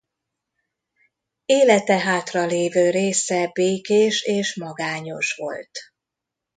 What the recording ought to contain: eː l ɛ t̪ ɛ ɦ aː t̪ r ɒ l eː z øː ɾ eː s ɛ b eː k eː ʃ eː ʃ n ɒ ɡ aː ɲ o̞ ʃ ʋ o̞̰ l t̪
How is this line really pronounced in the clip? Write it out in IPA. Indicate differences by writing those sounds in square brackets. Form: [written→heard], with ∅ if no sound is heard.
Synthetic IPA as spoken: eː l ɛ t̪ ɛ ɦ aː t̪ r ɒ l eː [z→v] øː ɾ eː s ɛ b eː k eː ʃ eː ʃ [n→m] ɒ ɡ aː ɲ o̞ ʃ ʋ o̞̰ l t̪